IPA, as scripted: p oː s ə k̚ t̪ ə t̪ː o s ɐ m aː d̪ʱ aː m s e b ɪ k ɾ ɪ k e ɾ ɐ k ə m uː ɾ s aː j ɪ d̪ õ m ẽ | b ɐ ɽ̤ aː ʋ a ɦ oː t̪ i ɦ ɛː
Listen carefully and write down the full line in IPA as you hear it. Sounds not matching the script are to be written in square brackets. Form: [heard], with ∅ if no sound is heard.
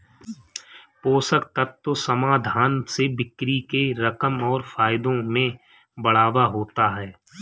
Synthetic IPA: p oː s ə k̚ t̪ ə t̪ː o s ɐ m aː d̪ʱ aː [n] s e b ɪ k ɾ [i] k e ɾ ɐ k ə m [ɔː] ɾ [f] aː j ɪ d̪ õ m ẽ | b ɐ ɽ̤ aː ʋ a ɦ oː t̪ [a] ɦ ɛː